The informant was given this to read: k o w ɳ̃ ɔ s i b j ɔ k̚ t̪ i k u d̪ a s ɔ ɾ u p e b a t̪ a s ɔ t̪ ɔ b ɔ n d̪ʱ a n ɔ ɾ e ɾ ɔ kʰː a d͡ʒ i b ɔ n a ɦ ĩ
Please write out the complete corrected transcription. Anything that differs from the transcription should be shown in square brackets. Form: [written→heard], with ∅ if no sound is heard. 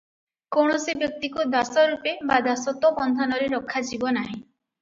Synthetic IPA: k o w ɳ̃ ɔ s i b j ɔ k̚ t̪ i k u d̪ a s ɔ ɾ u p e b a [t̪→d̪] a s ɔ t̪ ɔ b ɔ n d̪ʱ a n ɔ ɾ e ɾ ɔ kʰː a d͡ʒ i b ɔ n a ɦ ĩ